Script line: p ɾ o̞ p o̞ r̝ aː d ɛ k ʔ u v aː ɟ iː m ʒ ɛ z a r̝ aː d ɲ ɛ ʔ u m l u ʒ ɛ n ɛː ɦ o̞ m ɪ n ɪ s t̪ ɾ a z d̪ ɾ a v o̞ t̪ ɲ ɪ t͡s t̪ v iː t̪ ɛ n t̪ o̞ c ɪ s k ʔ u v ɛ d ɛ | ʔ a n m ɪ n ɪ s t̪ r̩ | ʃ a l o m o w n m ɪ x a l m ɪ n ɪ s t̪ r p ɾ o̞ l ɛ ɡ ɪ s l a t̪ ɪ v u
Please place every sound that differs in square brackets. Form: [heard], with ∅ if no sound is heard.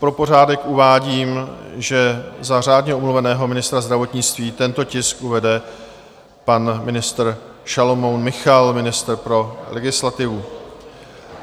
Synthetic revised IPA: p ɾ o̞ p o̞ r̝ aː d ɛ k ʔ u v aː ɟ iː m ʒ ɛ z a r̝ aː d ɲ ɛ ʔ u m l u [v] ɛ n ɛː ɦ o̞ m ɪ n ɪ s t̪ ɾ a z d̪ ɾ a v o̞ t̪ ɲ ɪ t͡s t̪ v iː t̪ ɛ n t̪ o̞ c ɪ s k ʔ u v ɛ d ɛ | [p] a n m ɪ n ɪ s t̪ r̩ | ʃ a l o m o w n m ɪ x a l m ɪ n ɪ s t̪ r p ɾ o̞ l ɛ ɡ ɪ s l a t̪ ɪ v u